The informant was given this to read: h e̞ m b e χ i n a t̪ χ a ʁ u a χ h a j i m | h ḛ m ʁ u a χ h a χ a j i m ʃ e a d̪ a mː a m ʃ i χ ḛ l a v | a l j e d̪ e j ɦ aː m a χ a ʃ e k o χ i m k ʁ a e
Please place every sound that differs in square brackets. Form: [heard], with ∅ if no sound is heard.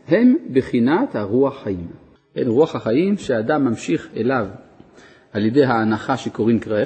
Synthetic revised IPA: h e̞ m b e χ i n a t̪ [h] a ʁ u a χ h a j i m | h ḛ [n] ʁ u a χ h a χ a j i m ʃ e a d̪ a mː a m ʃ i χ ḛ l a v | a l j e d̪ e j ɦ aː [n] a χ a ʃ e k o [ʁ] i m k ʁ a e